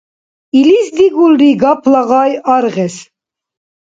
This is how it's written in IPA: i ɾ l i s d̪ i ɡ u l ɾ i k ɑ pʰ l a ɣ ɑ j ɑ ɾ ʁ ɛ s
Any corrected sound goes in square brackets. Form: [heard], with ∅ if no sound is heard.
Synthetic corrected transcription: i [∅] l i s d̪ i ɡ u l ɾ i [ɡ] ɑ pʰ l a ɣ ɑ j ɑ ɾ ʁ ɛ s